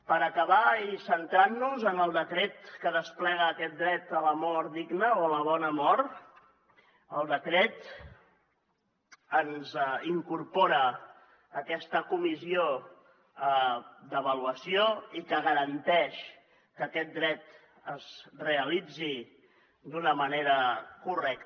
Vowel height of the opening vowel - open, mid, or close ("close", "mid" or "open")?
mid